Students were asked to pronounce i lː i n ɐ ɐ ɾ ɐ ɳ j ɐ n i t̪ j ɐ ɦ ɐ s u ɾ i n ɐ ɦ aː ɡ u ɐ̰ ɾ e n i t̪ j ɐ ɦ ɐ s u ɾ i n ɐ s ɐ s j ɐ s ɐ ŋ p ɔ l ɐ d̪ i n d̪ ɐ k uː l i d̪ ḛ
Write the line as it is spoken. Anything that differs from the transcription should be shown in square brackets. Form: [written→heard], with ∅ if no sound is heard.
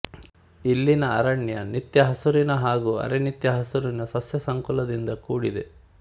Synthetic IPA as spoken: i lː i n ɐ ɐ ɾ ɐ ɳ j ɐ n i t̪ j ɐ ɦ ɐ s u ɾ i n ɐ ɦ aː ɡ u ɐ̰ ɾ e n i t̪ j ɐ ɦ ɐ s u ɾ i n ɐ s ɐ s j ɐ s ɐ ŋ [p→k] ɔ l ɐ d̪ i n d̪ ɐ k uː [l→ɽ] i d̪ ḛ